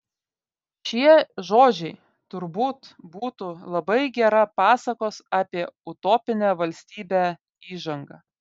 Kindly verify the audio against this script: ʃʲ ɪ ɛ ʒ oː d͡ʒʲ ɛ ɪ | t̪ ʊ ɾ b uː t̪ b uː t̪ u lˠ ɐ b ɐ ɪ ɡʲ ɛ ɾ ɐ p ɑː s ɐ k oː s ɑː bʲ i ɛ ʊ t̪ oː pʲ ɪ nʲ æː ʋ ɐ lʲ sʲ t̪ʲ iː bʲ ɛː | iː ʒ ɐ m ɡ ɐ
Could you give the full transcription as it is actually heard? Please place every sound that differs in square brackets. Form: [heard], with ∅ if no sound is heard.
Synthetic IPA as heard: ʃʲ [i] ɛ ʒ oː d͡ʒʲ ɛ ɪ | t̪ ʊ ɾ b uː t̪ b uː t̪ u lˠ ɐ b ɐ ɪ ɡʲ ɛ ɾ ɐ p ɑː s ɐ k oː s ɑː [pʲ] i ɛ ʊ t̪ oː pʲ ɪ nʲ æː ʋ ɐ lʲ sʲ t̪ʲ iː bʲ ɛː | iː ʒ ɐ [ŋ] ɡ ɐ